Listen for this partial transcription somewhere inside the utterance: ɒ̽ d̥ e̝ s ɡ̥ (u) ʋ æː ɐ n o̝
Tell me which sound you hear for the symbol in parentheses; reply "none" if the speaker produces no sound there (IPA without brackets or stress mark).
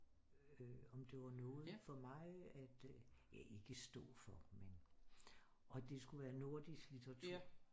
u